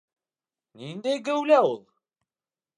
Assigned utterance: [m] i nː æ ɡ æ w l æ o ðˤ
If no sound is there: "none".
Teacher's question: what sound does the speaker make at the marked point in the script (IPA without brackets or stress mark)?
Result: n